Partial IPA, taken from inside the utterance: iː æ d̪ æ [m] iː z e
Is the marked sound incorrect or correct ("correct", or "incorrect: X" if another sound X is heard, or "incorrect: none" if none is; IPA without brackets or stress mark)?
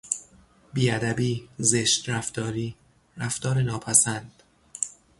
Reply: incorrect: b